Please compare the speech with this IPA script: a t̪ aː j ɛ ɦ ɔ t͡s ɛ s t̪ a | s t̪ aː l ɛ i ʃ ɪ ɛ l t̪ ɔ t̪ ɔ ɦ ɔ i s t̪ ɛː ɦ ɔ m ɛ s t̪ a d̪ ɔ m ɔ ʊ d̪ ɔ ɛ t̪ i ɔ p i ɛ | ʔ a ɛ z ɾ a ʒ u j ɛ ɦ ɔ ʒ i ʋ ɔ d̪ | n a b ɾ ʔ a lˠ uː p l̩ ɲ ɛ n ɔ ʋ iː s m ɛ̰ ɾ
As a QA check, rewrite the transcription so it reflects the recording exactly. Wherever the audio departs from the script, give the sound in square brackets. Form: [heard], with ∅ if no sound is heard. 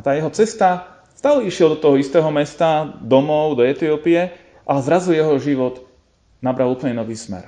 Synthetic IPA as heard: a t̪ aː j ɛ ɦ ɔ t͡s ɛ s t̪ a | s t̪ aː l ɛ i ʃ ɪ ɛ l [d̪] ɔ t̪ ɔ ɦ ɔ i s t̪ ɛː ɦ ɔ m ɛ s t̪ a d̪ ɔ m ɔ ʊ d̪ ɔ ɛ t̪ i ɔ p i ɛ | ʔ a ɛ z ɾ a [z] u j ɛ ɦ ɔ ʒ i ʋ ɔ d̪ | n a b ɾ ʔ a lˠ uː p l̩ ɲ ɛ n ɔ ʋ iː s m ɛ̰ ɾ